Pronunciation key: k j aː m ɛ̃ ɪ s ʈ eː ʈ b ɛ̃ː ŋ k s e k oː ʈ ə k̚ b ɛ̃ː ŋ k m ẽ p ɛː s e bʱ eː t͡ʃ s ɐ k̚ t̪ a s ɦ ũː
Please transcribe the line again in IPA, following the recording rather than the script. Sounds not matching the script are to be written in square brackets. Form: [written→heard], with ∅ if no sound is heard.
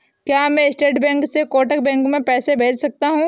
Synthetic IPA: k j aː m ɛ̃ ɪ s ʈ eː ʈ b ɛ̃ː ŋ k s e k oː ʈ ə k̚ b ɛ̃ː ŋ k m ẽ p ɛː s e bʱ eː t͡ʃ s ɐ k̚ t̪ a [s→∅] ɦ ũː